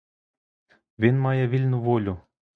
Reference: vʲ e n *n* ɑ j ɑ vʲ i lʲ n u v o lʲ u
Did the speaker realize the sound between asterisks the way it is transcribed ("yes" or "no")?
no